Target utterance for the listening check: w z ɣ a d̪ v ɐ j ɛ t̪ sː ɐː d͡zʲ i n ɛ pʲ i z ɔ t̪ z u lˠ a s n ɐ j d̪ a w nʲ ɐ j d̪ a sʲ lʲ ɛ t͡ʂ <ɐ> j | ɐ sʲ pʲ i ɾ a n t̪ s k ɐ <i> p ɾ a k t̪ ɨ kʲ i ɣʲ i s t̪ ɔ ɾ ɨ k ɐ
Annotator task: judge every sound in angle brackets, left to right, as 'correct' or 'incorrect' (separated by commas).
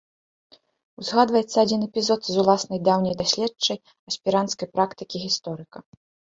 correct, incorrect